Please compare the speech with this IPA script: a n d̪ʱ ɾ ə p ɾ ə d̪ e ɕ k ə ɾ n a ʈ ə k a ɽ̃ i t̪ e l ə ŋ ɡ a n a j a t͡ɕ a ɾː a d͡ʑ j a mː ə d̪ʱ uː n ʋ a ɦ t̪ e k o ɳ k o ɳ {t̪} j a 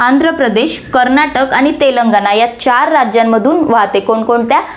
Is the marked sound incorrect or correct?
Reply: correct